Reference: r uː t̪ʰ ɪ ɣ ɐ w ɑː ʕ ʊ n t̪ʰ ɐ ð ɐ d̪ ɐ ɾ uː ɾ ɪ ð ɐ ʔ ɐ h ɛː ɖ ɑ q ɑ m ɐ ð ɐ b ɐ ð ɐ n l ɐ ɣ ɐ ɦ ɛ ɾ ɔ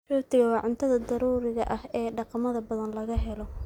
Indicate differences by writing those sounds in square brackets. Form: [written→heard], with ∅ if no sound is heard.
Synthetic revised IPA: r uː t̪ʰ ɪ ɣ ɐ w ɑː ʕ ʊ n t̪ʰ ɐ ð ɐ d̪ ɐ ɾ uː ɾ ɪ [ð→ɣ] ɐ ʔ ɐ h ɛː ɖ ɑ q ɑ m ɐ ð ɐ b ɐ ð ɐ n l ɐ ɣ ɐ ɦ ɛ [ɾ→l] ɔ